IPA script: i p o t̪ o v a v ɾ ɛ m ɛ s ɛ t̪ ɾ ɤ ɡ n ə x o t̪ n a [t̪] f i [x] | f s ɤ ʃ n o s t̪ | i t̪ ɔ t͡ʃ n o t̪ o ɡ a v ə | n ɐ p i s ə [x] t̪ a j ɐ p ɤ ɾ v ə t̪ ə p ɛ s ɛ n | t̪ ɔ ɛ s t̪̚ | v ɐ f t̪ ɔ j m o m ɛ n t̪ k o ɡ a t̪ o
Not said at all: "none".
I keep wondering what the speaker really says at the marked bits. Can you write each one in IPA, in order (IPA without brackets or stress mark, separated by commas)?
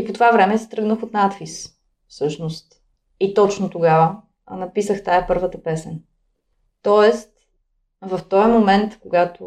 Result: t̪, s, x